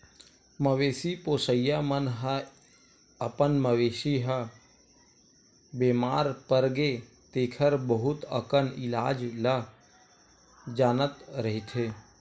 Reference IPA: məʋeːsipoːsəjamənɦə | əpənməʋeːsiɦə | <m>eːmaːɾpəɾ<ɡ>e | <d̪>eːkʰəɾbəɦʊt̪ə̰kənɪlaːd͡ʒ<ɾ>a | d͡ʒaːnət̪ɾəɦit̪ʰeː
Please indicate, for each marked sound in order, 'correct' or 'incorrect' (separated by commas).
incorrect, correct, incorrect, incorrect